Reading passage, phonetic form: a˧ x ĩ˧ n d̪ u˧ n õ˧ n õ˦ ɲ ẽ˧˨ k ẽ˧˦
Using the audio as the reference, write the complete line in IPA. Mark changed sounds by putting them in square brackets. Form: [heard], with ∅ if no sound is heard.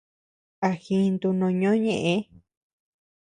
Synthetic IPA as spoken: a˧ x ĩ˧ n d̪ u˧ n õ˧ [ɲ] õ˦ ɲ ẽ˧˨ [ʔ] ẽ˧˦

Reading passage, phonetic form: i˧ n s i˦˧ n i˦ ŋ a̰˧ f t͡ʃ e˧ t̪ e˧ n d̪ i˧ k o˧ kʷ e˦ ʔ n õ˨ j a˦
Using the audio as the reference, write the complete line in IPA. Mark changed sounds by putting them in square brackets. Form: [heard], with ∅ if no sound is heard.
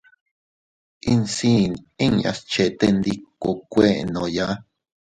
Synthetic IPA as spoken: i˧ n s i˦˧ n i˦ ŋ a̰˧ [s] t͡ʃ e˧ t̪ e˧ n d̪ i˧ k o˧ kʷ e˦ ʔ n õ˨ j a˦

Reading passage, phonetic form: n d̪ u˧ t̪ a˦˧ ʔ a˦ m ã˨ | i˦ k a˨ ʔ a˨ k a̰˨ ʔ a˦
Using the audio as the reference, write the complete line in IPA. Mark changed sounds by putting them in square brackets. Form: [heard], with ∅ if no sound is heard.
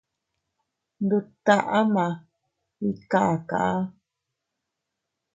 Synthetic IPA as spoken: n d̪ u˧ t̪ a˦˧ ʔ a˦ m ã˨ | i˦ k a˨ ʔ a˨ k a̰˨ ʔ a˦

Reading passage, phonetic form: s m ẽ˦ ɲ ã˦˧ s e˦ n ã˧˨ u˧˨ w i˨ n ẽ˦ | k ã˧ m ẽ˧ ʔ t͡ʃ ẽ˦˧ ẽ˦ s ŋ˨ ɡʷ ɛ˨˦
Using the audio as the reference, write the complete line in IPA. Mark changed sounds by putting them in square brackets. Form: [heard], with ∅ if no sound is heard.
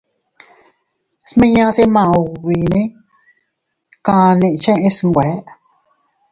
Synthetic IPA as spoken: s m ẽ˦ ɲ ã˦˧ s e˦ [m] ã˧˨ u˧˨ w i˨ n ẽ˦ | k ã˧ [n] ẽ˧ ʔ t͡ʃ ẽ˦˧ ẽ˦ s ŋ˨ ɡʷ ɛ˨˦

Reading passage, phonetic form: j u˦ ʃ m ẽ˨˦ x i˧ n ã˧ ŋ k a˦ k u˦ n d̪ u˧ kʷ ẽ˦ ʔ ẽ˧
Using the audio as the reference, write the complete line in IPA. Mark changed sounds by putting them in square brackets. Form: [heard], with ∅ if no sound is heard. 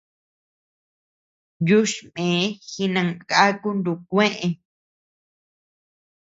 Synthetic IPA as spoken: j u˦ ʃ m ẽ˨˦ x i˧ n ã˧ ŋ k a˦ k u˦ n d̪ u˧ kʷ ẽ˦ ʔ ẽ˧

